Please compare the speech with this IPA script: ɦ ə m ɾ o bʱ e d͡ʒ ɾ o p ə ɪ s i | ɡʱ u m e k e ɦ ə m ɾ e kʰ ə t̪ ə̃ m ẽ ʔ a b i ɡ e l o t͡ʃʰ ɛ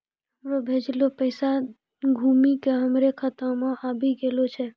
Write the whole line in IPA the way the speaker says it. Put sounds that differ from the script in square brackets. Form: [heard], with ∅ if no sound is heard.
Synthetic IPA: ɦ ə m ɾ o bʱ e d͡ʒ [l] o p ə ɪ s [a] | ɡʱ u m [i] k e ɦ ə m ɾ e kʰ ə t̪ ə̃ m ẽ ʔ a b i ɡ e l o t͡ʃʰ ɛ